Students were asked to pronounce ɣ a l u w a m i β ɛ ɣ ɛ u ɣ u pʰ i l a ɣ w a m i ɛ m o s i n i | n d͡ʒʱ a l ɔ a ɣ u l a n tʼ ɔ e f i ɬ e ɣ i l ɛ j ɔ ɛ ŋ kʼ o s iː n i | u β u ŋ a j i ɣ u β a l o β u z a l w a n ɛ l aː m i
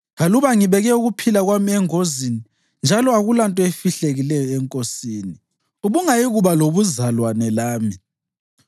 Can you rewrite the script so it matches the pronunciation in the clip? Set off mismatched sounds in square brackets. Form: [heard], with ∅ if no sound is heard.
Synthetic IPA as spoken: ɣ a l u [β] a [ŋ] i β ɛ ɣ ɛ u ɣ u pʰ i l a ɣ w a m i ɛ [ŋ] o [z] i n i | n d͡ʒʱ a l ɔ a ɣ u l a n tʼ ɔ e f i ɬ e ɣ i l ɛ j ɔ ɛ ŋ kʼ o s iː n i | u β u ŋ a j i ɣ u β a l o β u z a l w a n ɛ l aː m i

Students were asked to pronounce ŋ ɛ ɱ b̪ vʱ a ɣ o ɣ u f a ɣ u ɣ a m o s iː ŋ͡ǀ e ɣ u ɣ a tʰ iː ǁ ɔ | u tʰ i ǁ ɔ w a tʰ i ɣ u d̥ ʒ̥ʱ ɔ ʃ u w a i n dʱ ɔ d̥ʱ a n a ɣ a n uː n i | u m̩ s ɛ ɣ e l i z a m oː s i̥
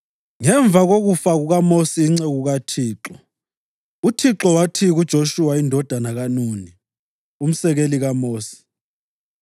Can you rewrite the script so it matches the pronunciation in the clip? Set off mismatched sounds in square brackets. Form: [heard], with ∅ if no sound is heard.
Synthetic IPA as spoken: ŋ ɛ ɱ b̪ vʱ a ɣ o ɣ u f a ɣ u ɣ a m o s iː ŋ͡ǀ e ɣ u ɣ a tʰ iː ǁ ɔ | u tʰ i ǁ ɔ w a tʰ i ɣ u d̥ ʒ̥ʱ [o] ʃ u w a i n dʱ ɔ d̥ʱ a n a ɣ a n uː n i | u m̩ s ɛ ɣ e l i [ɣ] a m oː s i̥

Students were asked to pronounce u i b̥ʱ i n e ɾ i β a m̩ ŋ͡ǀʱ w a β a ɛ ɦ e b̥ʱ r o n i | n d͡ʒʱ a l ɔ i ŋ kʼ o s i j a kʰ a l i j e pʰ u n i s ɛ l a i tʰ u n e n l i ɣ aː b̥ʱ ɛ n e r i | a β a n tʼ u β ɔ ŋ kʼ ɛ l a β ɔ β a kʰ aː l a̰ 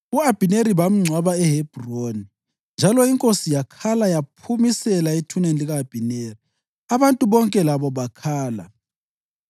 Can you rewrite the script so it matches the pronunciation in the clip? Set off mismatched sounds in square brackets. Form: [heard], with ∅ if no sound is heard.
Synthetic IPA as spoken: u [a] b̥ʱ i n e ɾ i β a m̩ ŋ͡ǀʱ w a β a ɛ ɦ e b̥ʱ r o n i | n d͡ʒʱ a l ɔ i ŋ kʼ o s i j a kʰ a l [a] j [a] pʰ u [m] i s ɛ l a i tʰ u n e n l i ɣ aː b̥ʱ [i] n e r i | a β a n tʼ u β ɔ ŋ kʼ ɛ l a β ɔ β a kʰ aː l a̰

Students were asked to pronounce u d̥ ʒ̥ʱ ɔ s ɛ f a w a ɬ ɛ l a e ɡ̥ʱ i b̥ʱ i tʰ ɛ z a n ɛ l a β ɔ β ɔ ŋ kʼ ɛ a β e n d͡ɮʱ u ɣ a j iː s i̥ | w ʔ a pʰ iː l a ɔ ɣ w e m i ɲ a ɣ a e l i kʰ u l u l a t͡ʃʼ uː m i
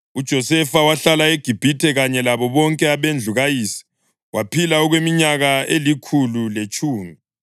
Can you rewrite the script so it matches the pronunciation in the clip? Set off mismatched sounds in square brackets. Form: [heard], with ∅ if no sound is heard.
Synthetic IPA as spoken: u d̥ ʒ̥ʱ ɔ s ɛ f a w a ɬ [a] l a e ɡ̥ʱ i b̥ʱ i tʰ ɛ [ɣ] a [ɲ] ɛ l a β ɔ β ɔ ŋ kʼ ɛ a β e n d͡ɮʱ u ɣ a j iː s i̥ | w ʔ a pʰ [i] l a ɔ ɣ w e m i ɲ a ɣ a e l i kʰ u l u l [e] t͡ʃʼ uː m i

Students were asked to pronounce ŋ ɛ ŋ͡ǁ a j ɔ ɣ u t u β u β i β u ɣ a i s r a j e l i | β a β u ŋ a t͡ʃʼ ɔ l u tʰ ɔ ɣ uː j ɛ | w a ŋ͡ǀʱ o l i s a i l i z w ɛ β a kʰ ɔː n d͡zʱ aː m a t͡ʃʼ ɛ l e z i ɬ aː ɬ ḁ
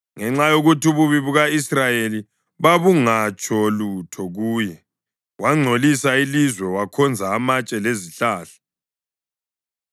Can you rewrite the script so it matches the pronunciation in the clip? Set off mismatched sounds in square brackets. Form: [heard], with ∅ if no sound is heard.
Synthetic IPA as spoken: ŋ ɛ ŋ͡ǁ a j [o] ɣ u t u β u β i β u ɣ a i s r a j e l i | β a β u ŋ a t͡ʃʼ ɔ l u tʰ ɔ ɣ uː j ɛ | w a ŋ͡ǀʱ o l i s a i l i z w ɛ [w] a kʰ [ɔ] n d͡zʱ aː m a t͡ʃʼ ɛ l e z i ɬ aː ɬ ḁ

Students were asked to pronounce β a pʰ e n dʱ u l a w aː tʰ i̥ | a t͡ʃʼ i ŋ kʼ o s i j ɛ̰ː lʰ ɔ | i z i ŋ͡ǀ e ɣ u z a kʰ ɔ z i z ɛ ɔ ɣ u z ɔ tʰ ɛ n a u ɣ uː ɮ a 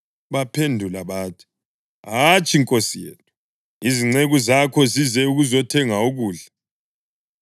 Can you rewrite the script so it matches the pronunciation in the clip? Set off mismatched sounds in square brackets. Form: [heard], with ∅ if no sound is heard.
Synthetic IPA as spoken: β a pʰ e n dʱ u l a [β] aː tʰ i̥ | a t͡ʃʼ i ŋ kʼ o s i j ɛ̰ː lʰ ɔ | i z i ŋ͡ǀ e ɣ u z a kʰ ɔ z i z ɛ [u] ɣ u z ɔ tʰ ɛ [ŋ] a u ɣ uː ɮ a

